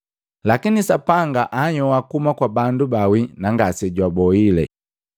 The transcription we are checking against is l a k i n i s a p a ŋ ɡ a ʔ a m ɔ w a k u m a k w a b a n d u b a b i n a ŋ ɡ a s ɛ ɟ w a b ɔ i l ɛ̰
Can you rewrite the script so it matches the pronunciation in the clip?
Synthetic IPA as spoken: l a k i n i s a p a ŋ ɡ a ʔ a ɲ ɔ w a k u m a k w a b a n d u b a w i n a ŋ ɡ a s ɛ ɟ w a b ɔ i l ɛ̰